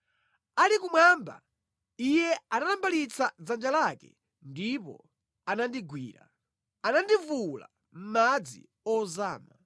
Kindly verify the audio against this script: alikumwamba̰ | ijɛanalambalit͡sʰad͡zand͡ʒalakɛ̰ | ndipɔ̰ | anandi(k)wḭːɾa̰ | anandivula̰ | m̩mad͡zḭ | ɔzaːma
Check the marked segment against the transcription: incorrect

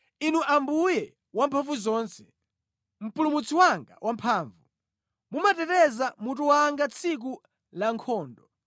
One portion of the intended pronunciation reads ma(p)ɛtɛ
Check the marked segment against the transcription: incorrect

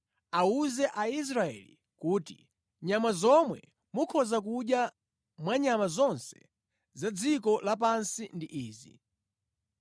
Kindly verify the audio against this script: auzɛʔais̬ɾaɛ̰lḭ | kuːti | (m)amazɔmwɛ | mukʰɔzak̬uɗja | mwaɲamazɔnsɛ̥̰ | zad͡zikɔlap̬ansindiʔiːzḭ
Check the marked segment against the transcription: incorrect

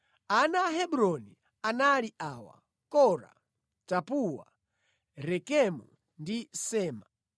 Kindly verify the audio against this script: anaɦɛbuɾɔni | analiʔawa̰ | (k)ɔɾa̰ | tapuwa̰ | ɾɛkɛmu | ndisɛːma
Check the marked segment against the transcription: correct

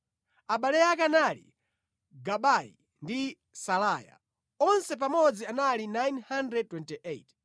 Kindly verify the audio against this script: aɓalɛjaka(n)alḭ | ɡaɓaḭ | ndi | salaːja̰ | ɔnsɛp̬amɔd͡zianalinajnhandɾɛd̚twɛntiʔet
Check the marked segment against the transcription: correct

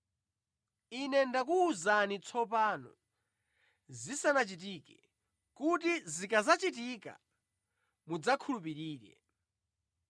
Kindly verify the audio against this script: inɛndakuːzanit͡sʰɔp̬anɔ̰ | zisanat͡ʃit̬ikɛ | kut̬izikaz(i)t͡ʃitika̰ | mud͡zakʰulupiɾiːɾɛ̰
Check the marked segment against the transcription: incorrect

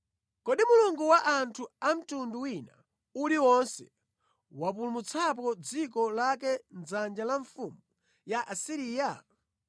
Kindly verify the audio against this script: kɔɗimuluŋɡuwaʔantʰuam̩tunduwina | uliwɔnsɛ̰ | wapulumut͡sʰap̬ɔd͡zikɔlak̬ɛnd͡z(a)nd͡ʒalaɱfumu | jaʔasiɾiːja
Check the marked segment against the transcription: correct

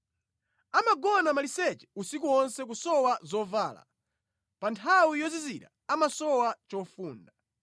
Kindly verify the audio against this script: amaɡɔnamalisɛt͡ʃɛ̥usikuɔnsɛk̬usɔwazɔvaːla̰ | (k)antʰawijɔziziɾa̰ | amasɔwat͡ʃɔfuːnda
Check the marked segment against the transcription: incorrect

